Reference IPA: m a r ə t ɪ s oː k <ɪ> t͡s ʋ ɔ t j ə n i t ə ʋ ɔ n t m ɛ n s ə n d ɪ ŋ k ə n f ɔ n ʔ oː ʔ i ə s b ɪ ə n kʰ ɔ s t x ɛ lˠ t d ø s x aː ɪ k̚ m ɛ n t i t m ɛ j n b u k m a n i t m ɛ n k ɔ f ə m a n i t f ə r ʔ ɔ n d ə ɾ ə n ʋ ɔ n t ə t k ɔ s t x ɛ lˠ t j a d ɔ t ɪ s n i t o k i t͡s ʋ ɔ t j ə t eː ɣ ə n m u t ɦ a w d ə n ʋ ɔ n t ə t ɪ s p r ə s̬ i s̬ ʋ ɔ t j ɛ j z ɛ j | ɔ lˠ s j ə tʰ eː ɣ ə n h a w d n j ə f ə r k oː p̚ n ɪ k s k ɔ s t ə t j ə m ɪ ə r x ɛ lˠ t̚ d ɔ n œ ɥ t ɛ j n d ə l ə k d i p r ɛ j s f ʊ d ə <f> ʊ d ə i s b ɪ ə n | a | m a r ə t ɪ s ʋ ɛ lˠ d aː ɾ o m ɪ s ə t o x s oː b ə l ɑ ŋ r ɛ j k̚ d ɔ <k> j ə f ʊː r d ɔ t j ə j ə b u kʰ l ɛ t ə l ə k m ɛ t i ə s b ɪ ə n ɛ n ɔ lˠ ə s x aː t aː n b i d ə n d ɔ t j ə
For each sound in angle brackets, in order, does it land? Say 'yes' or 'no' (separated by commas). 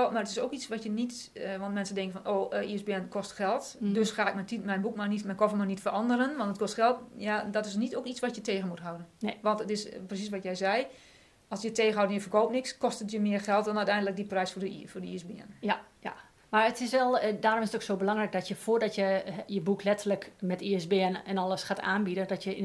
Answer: no, yes, no